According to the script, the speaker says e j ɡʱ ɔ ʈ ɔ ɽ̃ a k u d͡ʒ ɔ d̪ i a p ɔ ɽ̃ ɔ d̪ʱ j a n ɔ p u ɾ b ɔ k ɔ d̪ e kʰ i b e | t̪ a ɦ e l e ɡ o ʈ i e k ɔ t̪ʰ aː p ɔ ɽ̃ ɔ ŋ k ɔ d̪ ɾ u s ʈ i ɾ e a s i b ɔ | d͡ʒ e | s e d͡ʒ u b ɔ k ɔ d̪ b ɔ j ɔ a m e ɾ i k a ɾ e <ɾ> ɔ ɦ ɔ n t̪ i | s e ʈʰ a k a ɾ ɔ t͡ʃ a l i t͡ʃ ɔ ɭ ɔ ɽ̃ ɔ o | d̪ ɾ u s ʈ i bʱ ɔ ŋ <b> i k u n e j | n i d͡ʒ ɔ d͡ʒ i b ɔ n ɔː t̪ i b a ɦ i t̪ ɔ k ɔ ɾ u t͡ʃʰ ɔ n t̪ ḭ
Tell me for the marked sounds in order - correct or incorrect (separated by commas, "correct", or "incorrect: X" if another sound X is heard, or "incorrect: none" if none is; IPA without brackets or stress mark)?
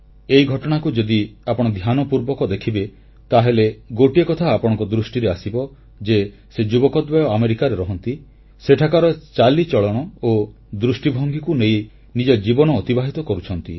correct, incorrect: ɡ